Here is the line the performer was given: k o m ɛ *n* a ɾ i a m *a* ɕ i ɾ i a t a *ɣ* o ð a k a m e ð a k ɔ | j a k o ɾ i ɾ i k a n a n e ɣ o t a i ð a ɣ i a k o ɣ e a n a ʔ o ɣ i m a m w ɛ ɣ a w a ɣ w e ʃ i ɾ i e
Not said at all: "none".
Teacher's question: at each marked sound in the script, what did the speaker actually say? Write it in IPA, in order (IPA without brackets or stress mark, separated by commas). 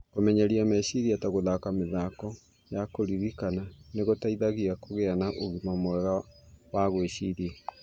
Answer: ɲ, ɛ, ɣ